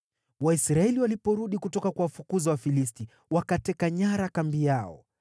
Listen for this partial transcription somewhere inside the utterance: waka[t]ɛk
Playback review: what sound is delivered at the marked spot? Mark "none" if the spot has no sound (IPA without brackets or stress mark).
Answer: t